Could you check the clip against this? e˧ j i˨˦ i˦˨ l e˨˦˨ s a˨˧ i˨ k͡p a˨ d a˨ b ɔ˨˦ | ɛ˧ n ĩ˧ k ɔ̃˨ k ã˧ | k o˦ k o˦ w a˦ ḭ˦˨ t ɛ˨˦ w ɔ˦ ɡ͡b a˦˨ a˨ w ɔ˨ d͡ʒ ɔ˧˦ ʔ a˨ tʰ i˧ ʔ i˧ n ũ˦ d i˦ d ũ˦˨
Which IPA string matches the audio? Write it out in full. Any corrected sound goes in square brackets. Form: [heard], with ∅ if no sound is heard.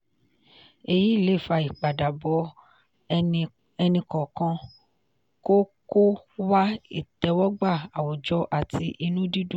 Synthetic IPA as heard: e˧ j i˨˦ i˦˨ l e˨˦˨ [f] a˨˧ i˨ k͡p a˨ d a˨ b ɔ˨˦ | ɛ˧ n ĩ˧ k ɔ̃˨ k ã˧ | k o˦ k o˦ w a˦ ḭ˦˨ t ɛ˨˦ w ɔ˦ ɡ͡b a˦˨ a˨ w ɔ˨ d͡ʒ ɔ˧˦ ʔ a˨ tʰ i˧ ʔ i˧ n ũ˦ d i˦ d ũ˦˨